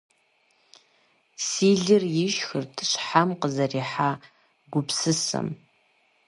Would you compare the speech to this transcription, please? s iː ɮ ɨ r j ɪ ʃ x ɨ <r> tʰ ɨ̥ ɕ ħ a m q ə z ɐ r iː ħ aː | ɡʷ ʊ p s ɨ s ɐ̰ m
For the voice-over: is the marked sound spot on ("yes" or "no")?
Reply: yes